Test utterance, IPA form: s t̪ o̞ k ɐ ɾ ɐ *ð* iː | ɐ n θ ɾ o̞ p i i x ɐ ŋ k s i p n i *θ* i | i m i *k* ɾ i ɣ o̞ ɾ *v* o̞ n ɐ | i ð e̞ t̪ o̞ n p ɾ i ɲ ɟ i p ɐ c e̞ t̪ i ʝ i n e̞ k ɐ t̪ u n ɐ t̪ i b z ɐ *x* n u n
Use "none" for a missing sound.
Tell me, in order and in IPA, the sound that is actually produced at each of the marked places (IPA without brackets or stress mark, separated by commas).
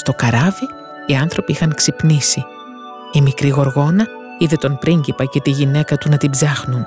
v, s, k, ɣ, x